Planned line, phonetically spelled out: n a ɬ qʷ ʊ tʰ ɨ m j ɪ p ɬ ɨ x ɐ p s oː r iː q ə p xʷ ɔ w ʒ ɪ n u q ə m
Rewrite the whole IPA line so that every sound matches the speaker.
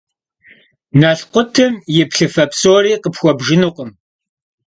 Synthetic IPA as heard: n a ɬ qʷ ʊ tʰ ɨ m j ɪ p ɬ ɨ f ɐ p s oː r iː q ə p xʷ ɔ b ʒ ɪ n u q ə m